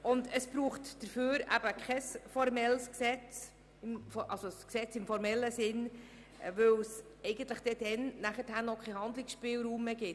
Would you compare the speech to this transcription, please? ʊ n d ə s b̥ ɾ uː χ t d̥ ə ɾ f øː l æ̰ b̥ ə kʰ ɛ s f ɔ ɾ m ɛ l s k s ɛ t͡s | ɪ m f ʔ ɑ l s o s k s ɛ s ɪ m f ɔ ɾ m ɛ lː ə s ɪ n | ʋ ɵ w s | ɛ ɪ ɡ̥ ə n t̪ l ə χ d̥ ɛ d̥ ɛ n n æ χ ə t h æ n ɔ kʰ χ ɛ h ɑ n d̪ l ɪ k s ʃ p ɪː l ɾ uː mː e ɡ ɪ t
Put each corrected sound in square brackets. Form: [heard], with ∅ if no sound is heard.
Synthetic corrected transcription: ʊ n d ə s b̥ ɾ uː χ t d̥ ə ɾ f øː [ɾ] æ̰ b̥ ə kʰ ɛ s f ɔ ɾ m ɛ l s k s ɛ t͡s | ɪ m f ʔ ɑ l s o s k s ɛ [t͡s] ɪ m f ɔ ɾ m ɛ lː ə s ɪ n | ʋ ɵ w s | ɛ ɪ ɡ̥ ə n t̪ l ə χ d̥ ɛ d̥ ɛ n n æ χ ə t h æ n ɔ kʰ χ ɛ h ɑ n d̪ l ɪ k s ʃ p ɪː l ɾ uː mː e ɡ ɪ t